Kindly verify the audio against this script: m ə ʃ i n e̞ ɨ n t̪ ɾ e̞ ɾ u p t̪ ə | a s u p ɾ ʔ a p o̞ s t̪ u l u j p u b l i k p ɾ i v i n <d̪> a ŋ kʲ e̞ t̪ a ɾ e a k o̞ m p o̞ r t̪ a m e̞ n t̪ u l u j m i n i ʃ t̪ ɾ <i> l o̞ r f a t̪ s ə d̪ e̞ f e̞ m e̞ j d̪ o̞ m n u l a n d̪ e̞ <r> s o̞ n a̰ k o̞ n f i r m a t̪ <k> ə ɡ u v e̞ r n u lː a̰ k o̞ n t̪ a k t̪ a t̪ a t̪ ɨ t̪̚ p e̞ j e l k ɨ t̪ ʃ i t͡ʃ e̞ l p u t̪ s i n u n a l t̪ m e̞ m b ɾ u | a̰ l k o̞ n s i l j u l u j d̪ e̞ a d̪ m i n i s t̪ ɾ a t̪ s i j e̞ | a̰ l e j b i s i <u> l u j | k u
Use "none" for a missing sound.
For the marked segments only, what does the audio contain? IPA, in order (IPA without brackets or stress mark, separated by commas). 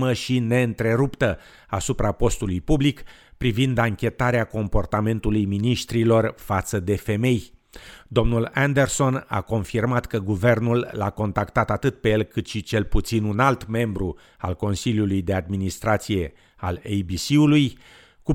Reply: d̪, i, r, k, u